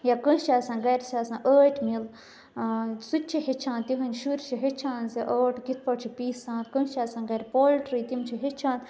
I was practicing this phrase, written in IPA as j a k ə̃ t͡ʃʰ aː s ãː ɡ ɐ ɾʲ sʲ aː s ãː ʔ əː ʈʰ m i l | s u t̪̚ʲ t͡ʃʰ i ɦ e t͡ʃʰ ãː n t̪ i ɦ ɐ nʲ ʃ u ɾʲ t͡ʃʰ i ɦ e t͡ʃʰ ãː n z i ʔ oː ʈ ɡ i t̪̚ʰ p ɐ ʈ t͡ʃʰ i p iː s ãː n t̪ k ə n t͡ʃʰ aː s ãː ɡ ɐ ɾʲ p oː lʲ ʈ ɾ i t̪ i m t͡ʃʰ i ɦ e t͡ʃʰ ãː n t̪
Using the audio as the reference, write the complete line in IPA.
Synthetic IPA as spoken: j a k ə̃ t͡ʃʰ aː s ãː ɡ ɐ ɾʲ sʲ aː s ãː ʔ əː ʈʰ m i l | s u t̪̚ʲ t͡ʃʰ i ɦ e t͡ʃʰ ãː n t̪ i ɦ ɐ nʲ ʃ u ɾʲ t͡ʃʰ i ɦ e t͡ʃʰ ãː n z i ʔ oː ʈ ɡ i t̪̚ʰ p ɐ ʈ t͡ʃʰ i p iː s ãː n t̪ k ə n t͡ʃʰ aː s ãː ɡ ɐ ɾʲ p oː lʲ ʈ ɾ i t̪ i m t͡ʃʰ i ɦ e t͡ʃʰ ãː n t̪